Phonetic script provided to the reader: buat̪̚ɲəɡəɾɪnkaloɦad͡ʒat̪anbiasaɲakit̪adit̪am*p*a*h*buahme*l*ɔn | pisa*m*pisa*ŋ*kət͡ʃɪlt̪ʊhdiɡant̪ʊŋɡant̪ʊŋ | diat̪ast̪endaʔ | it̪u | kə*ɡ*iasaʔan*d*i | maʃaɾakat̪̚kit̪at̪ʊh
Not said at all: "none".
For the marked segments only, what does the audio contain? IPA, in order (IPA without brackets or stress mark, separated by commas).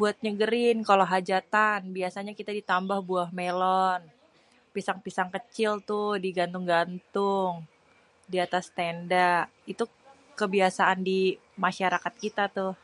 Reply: b, h, l, ŋ, ŋ, b, d